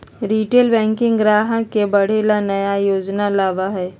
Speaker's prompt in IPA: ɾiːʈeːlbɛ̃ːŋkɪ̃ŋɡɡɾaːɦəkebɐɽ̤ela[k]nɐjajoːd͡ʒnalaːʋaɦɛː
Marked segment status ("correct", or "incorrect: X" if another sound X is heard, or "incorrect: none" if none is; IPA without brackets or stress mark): incorrect: none